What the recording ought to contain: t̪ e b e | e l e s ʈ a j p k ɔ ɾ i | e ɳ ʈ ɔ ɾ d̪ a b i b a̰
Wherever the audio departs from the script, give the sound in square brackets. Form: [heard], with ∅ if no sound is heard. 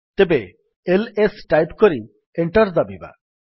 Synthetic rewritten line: t̪ e b e | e l e s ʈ a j p k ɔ ɾ i | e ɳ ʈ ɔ ɾ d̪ a b i b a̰